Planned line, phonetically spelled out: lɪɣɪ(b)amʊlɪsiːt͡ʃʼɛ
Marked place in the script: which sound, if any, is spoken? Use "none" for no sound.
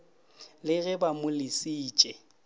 b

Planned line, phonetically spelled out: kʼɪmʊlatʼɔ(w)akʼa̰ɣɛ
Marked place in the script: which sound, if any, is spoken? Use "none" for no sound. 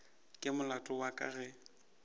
w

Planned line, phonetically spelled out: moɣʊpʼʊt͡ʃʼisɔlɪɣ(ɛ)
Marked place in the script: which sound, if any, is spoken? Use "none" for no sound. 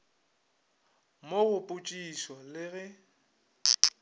ɛ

